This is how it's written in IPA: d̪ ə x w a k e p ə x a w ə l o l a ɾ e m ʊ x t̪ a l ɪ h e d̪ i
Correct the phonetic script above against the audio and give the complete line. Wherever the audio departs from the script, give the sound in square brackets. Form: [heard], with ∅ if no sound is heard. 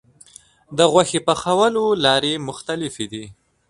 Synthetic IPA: d̪ ə [ɣ] w a [x] e p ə x a w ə l o l [ɑ] ɾ e m ʊ x t̪ a l ɪ [f] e d̪ i